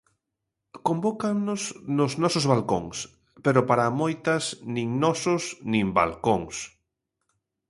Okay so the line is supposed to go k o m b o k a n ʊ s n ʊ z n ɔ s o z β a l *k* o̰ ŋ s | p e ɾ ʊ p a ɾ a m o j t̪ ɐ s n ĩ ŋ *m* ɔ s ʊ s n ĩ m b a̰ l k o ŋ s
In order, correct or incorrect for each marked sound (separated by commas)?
correct, incorrect